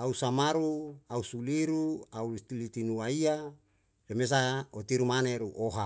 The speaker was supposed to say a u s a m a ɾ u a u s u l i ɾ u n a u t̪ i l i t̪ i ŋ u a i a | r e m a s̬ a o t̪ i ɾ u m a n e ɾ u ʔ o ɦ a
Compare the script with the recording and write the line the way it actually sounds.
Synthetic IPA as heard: a u s a m a ɾ u a u s u l i ɾ u a u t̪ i l i t̪ i n u a i a | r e m e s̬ a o t̪ i ɾ u m a n e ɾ u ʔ o ɦ a